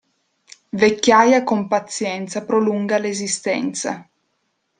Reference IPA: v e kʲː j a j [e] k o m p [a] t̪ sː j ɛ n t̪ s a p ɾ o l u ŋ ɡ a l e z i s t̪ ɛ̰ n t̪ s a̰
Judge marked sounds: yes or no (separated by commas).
no, yes